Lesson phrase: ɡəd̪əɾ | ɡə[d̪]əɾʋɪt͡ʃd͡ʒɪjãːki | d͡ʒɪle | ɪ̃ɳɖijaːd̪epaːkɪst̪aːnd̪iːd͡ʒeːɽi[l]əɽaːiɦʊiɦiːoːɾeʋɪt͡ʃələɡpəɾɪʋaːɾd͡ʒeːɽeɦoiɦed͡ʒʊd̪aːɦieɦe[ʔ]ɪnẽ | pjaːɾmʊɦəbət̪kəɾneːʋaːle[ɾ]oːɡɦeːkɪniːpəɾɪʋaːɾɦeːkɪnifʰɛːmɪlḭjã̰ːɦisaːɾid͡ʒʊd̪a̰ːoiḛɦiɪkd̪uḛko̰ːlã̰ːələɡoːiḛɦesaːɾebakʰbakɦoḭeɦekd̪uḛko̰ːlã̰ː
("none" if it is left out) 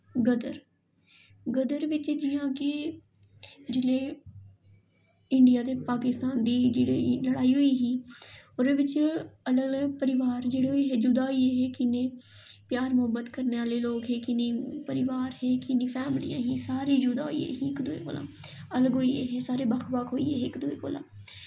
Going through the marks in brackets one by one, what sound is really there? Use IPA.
d̪, l, k, l

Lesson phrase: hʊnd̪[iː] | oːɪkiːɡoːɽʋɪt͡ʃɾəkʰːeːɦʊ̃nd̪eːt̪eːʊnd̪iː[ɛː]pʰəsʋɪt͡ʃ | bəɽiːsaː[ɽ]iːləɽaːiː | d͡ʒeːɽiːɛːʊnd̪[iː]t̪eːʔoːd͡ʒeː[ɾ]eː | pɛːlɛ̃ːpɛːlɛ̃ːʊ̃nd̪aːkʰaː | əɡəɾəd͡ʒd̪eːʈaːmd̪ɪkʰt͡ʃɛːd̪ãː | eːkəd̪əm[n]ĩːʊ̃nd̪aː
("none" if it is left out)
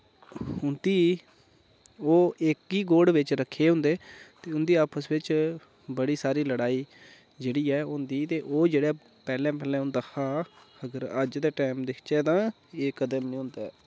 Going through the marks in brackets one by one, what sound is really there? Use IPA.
iː, aː, ɾ, iː, ɽ, n

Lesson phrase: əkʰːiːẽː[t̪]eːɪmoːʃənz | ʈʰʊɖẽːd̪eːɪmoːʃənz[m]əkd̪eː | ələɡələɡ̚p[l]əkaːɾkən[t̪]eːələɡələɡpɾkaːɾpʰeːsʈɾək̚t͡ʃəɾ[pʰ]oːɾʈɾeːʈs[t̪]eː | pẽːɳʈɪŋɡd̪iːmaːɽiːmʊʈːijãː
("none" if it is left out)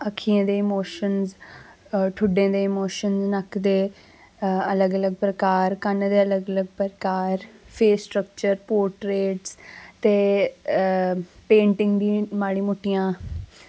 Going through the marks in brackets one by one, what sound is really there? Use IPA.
d̪, n, ɾ, d̪, p, t̪

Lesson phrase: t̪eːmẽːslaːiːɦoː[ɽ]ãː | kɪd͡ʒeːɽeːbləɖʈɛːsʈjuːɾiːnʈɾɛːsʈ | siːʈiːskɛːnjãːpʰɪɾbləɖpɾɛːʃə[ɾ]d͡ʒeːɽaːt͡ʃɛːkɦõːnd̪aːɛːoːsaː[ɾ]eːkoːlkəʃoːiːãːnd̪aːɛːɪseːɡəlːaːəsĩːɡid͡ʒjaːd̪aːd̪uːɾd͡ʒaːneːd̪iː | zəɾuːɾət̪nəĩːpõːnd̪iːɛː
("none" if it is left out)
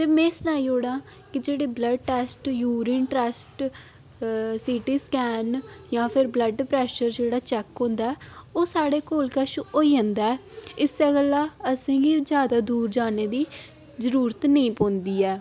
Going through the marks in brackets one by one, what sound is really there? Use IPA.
ɽ, ɾ, ɽ

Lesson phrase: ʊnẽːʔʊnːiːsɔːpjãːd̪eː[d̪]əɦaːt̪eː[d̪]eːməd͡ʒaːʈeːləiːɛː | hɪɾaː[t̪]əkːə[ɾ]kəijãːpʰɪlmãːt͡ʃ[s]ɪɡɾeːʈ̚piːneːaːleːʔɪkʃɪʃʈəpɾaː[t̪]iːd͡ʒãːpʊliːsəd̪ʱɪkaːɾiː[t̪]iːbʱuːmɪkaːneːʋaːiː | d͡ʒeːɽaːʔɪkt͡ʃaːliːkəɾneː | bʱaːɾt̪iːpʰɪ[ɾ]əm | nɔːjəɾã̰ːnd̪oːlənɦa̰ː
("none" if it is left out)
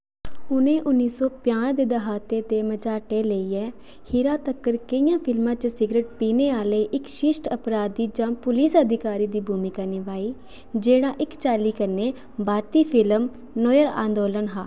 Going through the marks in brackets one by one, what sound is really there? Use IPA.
d̪, t̪, t̪, ɾ, s, d̪, d̪, l

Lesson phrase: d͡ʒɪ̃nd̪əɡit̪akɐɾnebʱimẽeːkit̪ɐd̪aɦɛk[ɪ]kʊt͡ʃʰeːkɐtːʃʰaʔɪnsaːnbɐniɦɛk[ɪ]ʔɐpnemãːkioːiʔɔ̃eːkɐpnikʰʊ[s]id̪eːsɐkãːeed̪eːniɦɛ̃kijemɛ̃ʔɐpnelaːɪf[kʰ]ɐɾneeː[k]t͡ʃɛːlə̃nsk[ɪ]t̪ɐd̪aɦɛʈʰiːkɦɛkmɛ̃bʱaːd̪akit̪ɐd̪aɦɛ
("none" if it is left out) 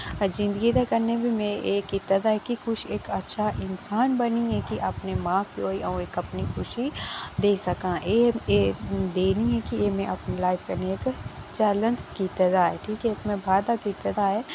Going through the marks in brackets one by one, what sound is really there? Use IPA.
i, i, ʃ, k, k, i

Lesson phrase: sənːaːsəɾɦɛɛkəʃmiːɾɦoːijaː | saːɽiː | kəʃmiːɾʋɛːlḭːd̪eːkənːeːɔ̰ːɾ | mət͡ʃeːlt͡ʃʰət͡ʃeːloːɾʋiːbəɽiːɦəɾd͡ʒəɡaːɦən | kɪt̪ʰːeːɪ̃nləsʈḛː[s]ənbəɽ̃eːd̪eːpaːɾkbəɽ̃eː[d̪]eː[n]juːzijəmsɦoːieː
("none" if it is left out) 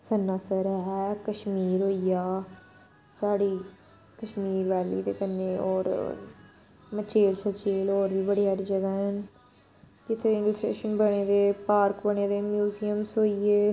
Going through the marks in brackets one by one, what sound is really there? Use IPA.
ʃ, d̪, m

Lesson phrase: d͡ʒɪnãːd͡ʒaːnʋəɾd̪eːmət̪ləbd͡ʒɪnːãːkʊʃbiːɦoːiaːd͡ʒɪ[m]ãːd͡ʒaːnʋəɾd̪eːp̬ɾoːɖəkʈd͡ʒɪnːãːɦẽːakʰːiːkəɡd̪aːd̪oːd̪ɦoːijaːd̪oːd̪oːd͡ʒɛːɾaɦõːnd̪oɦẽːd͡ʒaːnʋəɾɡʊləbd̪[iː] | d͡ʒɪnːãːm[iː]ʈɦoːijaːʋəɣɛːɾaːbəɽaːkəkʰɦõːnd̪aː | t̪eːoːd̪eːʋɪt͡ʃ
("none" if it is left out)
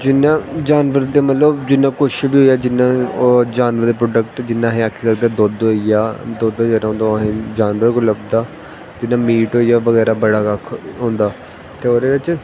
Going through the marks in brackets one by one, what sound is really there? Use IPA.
n, aː, iː

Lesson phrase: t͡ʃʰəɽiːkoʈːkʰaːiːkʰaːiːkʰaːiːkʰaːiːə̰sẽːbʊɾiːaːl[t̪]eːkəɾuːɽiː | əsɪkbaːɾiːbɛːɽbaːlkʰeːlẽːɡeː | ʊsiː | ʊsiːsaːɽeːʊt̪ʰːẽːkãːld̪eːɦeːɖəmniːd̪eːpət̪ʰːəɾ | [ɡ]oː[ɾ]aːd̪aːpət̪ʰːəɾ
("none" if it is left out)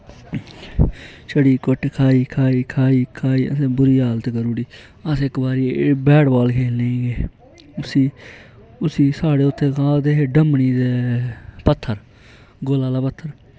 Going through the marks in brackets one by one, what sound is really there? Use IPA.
t̪, ɡ, l

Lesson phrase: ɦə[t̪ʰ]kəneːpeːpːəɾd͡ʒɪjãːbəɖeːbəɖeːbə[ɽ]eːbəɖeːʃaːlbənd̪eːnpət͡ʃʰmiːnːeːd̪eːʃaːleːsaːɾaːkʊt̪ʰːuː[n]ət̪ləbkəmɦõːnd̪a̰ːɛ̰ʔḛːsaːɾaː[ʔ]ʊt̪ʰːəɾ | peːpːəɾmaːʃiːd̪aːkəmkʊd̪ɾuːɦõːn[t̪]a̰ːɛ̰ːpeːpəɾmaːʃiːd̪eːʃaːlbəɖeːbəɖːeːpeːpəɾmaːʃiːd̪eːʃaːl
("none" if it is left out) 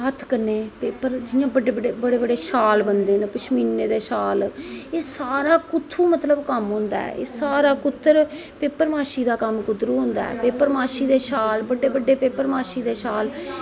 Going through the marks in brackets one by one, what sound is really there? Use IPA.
t̪ʰ, ɽ, m, k, d̪

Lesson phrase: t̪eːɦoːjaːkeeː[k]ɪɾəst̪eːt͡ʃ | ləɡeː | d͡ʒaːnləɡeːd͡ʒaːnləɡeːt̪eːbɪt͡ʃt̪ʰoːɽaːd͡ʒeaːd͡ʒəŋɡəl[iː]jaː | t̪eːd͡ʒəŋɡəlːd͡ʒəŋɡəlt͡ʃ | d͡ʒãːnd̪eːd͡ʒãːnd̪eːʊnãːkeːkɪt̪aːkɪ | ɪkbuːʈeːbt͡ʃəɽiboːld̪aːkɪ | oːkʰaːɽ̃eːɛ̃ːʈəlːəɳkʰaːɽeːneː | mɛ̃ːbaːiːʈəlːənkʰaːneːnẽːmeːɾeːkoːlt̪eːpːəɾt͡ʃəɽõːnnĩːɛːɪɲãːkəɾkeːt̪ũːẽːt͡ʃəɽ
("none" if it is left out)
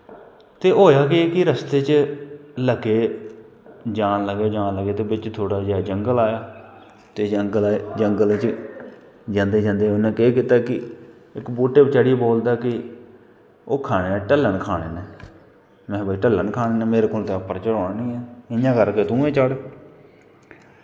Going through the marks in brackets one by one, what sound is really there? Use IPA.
k, aː

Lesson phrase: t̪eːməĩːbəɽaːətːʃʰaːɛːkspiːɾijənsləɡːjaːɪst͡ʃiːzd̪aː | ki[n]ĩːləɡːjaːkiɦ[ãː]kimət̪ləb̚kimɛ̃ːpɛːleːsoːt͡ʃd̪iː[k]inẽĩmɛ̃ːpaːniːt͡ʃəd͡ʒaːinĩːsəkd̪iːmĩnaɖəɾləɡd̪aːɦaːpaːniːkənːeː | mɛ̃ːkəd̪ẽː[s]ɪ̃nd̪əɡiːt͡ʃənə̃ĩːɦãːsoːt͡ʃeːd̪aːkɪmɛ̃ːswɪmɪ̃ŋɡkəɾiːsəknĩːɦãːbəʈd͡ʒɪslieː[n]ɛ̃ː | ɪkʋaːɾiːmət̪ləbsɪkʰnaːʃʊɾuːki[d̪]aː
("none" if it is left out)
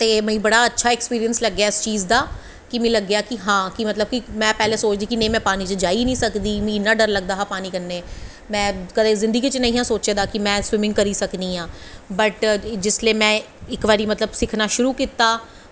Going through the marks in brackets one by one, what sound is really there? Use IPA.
m, ãː, k, z, m, t̪

